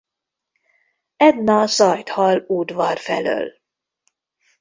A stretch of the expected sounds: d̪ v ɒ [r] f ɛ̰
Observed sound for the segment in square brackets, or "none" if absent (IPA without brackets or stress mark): r